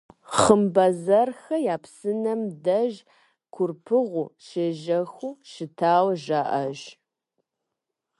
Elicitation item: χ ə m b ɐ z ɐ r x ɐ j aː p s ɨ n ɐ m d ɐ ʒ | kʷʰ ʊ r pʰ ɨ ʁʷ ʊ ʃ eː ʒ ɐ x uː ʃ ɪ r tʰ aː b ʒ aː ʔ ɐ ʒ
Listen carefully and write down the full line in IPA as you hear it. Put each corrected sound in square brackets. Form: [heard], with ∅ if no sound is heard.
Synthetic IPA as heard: χ ə m b ɐ z ɐ r x ɐ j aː p s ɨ n ɐ m d ɐ ʒ | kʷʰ ʊ r pʰ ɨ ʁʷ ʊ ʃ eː ʒ ɐ x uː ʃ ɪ [∅] tʰ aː [w] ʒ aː ʔ ɐ ʒ